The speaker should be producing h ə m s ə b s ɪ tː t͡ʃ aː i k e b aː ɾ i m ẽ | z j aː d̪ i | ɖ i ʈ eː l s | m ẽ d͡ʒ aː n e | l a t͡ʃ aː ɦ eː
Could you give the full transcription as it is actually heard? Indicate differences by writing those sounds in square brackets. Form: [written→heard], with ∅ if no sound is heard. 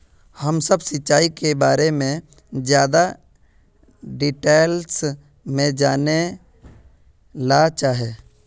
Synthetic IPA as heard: h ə m s ə b s ɪ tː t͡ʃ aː i k e b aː ɾ [i→e] m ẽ | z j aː d̪ [i→a] | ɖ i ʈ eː l s | m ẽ d͡ʒ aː n e | l a t͡ʃ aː ɦ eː

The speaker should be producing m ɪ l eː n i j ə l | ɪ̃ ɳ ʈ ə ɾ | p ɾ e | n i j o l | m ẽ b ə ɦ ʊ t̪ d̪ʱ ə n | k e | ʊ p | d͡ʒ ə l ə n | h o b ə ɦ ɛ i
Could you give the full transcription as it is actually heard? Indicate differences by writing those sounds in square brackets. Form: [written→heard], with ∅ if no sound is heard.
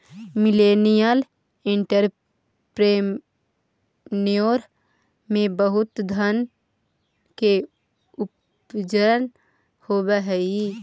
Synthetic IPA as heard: m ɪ l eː n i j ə l | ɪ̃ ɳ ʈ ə ɾ | p ɾ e | n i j o [l→ɾ] | m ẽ b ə ɦ ʊ t̪ d̪ʱ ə n | k e | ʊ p | d͡ʒ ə [l→ɾ] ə n | h o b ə ɦ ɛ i

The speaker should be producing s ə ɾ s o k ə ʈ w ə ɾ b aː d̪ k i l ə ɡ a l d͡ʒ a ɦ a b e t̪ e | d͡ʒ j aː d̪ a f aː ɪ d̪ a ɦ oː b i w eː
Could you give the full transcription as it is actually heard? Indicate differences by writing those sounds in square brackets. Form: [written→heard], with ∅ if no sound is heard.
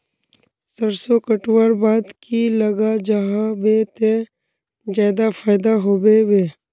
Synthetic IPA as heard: s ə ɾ s o k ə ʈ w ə ɾ b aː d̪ k i l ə ɡ a [l→∅] d͡ʒ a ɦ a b e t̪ e | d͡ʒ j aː d̪ a f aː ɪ d̪ a ɦ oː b [i→e] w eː

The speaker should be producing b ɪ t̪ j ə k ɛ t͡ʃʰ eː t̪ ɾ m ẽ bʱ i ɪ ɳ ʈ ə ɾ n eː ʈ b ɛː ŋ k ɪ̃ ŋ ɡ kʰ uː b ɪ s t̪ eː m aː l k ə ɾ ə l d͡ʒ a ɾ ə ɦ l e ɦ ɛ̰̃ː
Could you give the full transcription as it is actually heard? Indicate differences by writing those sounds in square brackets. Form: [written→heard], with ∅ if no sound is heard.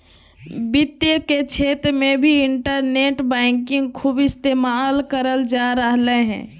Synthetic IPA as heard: b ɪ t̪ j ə k [ɛ→e] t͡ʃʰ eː t̪ ɾ m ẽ bʱ i ɪ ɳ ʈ ə ɾ n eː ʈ b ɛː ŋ k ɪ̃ ŋ ɡ kʰ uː b ɪ s t̪ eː m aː l k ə ɾ ə l d͡ʒ a ɾ ə ɦ l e ɦ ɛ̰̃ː

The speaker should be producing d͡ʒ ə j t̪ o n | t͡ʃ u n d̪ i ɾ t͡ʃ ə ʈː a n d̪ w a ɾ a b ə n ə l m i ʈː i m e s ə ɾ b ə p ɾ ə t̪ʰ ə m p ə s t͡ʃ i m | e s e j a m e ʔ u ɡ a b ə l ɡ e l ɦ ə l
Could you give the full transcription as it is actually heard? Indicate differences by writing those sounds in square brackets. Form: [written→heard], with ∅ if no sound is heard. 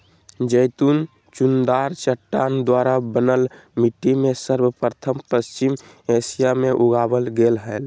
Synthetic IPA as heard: d͡ʒ ə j t̪ [o→u] n | t͡ʃ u n d̪ [i→a] ɾ t͡ʃ ə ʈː a n d̪ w a ɾ a b ə n ə l m i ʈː i m e s ə ɾ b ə p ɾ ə t̪ʰ ə m p ə s t͡ʃ i m | e s [e→i] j a m e ʔ u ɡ a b ə l ɡ e l ɦ ə l

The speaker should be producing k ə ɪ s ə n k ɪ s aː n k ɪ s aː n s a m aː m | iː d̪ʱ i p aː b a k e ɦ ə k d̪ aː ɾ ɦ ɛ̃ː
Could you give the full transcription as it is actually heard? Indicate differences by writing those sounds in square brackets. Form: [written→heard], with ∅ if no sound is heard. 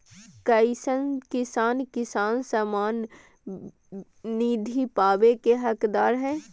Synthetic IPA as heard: k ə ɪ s ə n k ɪ s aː n k ɪ s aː n s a m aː [m→n] | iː d̪ʱ i p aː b [a→e] k e ɦ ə k d̪ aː ɾ ɦ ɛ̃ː

